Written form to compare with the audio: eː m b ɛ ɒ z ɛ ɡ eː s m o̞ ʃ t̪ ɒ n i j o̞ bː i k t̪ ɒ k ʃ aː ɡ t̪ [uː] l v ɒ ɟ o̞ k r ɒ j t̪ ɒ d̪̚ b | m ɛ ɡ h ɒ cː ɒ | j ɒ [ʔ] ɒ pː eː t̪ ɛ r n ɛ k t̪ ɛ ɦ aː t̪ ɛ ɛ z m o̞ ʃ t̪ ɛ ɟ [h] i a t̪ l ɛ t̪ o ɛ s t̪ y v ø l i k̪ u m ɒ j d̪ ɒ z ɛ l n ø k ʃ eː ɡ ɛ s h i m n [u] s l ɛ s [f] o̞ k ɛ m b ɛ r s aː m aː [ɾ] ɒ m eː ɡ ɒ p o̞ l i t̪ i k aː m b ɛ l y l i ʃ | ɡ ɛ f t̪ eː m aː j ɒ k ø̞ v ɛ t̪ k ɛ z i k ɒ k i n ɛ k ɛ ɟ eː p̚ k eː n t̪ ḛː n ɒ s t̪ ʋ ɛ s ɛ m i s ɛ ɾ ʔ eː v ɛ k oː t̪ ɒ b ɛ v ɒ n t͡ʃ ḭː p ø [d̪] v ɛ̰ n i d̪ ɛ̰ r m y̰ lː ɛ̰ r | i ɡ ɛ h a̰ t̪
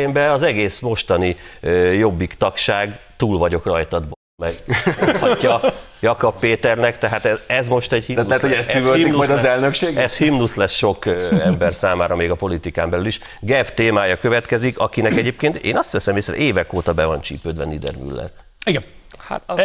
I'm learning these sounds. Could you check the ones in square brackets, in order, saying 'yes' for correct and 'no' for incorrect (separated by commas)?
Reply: yes, no, yes, yes, no, yes, yes